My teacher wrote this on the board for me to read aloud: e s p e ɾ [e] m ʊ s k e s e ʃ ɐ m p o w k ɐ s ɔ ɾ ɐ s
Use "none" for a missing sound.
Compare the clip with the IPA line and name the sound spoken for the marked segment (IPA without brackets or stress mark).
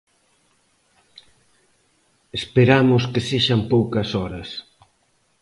a